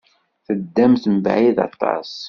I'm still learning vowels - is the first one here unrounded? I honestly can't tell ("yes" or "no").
yes